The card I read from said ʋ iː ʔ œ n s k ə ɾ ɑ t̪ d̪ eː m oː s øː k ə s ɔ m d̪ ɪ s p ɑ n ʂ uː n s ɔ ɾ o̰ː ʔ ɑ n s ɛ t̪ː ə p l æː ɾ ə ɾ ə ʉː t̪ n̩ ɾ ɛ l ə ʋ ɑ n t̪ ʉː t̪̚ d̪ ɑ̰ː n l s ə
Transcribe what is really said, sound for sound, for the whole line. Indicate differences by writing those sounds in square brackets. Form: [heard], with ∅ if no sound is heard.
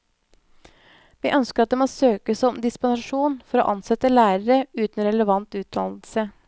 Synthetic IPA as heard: ʋ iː ʔ œ n s k ə ɾ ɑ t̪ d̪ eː m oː s øː k ə s ɔ m d̪ ɪ s p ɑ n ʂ uː n [f] ɔ ɾ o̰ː ʔ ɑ n s ɛ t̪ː ə [∅] l æː ɾ ə ɾ ə ʉː t̪ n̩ ɾ ɛ l ə ʋ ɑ n t̪ ʉː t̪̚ d̪ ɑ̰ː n l s ə

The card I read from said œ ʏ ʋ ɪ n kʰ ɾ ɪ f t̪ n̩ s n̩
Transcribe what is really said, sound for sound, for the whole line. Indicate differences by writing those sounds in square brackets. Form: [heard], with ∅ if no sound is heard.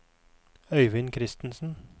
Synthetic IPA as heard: œ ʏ ʋ ɪ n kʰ ɾ ɪ [s] t̪ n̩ s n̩

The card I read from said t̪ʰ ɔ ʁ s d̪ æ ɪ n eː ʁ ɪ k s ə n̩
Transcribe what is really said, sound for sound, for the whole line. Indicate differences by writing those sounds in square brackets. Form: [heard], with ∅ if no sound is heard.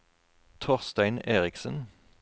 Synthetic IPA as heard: t̪ʰ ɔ ʁ s [t̪] æ ɪ n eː ʁ ɪ k s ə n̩

